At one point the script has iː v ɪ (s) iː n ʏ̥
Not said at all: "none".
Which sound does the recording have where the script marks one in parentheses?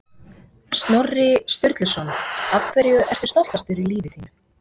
θ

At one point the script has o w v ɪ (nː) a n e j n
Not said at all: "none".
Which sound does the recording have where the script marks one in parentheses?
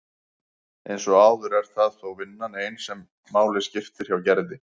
nː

